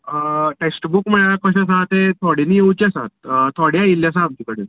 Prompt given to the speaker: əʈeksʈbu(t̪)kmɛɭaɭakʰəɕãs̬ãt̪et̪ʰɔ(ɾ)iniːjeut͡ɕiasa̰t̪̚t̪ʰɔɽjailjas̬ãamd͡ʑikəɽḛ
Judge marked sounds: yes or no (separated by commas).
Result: no, no